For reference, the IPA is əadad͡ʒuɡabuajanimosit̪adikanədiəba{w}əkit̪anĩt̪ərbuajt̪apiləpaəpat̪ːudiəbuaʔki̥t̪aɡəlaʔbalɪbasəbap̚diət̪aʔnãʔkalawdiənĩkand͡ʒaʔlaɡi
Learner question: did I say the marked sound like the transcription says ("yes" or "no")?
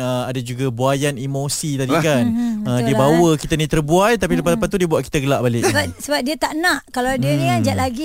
yes